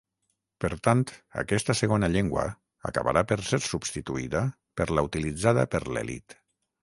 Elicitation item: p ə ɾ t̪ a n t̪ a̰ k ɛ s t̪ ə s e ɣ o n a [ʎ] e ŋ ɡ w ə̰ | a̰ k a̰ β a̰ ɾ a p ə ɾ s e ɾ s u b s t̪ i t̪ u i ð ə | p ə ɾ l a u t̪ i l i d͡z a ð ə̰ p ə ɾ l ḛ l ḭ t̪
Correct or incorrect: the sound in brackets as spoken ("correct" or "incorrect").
correct